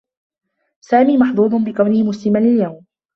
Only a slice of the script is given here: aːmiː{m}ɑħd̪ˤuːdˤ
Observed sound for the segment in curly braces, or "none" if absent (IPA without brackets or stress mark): m